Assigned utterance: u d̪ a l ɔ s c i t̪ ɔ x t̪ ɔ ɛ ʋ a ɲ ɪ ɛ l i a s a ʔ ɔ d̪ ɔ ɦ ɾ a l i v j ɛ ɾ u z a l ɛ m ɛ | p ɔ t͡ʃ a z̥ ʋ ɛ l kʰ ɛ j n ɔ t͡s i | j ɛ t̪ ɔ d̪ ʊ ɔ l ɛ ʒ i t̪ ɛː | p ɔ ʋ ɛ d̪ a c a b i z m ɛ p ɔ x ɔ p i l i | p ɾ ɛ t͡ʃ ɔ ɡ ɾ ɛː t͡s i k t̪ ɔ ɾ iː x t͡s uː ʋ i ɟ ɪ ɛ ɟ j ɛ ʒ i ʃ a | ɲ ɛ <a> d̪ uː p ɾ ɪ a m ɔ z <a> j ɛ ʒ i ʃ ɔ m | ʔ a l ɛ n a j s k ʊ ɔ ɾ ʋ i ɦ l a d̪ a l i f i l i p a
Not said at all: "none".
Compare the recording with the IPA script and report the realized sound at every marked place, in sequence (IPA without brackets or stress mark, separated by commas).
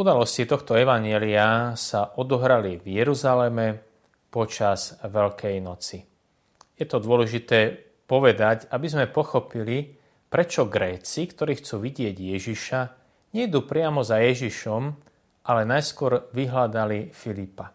i, a